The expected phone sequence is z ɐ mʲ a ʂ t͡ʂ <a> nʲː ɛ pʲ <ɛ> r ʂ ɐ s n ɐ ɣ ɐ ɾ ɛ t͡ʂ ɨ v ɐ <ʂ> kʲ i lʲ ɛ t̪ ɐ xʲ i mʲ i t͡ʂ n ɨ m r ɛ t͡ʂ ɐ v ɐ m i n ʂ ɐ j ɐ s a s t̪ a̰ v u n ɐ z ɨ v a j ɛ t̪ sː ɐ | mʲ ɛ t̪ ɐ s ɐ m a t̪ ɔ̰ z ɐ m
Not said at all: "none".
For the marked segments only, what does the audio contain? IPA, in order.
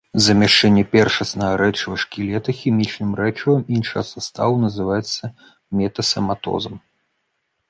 ɛ, ɛ, ʂ

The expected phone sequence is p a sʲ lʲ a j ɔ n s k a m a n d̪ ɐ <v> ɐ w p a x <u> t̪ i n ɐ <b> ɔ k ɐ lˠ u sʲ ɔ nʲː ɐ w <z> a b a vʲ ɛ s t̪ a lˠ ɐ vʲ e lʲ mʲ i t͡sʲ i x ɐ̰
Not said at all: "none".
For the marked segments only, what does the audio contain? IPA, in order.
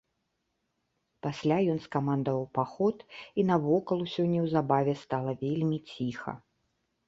v, ɔ, v, z

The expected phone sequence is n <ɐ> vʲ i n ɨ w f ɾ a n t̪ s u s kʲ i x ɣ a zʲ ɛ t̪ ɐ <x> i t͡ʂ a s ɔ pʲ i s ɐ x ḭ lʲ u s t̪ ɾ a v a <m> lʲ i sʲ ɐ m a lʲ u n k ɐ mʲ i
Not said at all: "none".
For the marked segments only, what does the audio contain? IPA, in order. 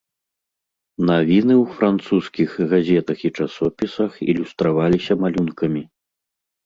a, x, none

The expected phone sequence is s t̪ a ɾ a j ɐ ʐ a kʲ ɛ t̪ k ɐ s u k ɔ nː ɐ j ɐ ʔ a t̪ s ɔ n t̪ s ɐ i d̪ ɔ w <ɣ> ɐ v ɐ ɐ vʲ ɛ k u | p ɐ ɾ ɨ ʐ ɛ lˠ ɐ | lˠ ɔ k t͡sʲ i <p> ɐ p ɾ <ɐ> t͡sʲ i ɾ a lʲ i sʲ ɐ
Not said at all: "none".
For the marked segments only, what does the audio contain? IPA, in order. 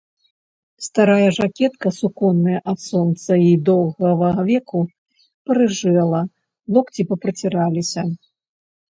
ɣ, p, ɐ

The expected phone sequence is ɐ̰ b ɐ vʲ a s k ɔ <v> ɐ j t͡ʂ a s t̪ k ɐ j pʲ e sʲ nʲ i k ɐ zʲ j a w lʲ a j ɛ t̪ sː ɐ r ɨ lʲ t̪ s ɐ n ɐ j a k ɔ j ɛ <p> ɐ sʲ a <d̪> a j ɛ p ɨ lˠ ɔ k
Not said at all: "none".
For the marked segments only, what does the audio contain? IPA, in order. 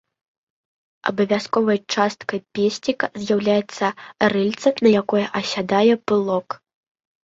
v, ʔ, d̪

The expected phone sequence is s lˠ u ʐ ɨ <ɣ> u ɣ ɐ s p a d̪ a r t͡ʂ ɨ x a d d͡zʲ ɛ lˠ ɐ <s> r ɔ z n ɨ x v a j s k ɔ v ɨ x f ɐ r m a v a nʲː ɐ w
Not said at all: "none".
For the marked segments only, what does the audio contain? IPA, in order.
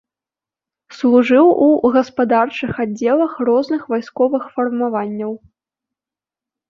w, x

